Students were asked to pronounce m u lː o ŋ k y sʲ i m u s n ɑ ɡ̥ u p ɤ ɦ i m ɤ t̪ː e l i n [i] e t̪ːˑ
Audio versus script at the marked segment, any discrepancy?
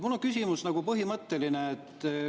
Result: yes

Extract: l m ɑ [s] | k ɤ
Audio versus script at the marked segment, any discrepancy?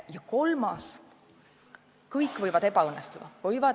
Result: no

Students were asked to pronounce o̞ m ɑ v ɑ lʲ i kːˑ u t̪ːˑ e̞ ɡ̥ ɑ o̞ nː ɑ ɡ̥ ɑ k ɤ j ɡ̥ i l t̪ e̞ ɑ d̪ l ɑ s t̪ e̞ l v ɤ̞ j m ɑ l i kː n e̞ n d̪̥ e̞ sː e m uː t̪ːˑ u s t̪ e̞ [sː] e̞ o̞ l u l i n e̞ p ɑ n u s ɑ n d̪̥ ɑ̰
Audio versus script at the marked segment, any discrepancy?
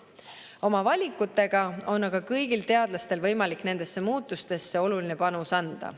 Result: no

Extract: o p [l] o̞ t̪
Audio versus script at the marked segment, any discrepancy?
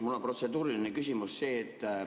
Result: yes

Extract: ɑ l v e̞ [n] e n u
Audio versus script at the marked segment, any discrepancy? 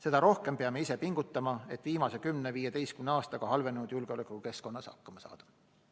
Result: no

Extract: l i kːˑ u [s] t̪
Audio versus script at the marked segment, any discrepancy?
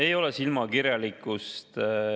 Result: no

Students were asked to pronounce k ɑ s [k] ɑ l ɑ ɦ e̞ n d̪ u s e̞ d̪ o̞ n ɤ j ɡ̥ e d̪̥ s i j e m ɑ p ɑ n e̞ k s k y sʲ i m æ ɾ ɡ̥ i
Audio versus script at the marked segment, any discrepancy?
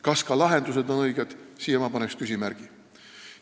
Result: no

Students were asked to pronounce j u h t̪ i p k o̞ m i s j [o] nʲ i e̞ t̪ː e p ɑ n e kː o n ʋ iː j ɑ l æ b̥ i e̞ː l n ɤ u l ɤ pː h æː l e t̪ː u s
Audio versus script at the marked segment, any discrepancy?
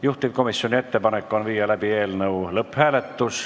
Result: no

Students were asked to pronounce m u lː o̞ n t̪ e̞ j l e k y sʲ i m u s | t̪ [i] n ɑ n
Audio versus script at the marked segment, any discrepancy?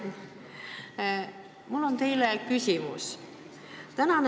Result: yes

